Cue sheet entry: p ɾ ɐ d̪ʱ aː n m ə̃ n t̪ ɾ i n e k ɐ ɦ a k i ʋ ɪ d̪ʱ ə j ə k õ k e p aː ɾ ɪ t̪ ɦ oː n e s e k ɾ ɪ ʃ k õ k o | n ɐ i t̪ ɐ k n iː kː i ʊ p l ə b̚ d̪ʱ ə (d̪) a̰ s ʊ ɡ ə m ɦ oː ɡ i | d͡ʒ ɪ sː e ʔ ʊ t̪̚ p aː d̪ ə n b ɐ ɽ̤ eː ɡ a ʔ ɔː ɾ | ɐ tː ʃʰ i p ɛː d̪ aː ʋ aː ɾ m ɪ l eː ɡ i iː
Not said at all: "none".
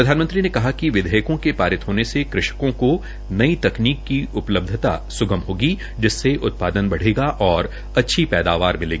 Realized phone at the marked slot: t̪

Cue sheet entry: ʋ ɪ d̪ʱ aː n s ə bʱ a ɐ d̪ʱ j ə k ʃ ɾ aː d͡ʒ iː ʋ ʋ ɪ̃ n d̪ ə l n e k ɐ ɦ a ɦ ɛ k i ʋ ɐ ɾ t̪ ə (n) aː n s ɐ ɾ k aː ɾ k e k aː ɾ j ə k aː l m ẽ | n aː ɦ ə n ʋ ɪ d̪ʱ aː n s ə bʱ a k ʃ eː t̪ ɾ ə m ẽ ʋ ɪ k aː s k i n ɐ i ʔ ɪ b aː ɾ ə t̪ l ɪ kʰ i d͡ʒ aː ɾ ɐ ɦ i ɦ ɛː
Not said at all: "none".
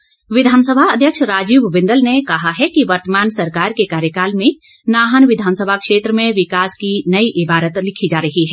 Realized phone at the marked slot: m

